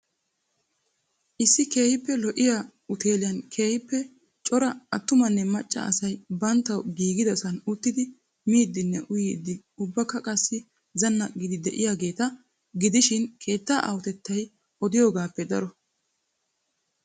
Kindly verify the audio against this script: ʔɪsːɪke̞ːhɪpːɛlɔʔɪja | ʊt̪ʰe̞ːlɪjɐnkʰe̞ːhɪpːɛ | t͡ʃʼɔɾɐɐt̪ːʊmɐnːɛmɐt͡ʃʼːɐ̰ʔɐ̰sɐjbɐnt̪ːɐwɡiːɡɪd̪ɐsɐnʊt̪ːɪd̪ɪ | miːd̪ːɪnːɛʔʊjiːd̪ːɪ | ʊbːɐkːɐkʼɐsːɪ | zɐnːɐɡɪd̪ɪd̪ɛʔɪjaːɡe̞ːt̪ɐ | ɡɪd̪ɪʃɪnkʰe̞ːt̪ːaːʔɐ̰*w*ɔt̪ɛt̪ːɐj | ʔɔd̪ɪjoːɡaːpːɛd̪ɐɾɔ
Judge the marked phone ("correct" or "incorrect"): correct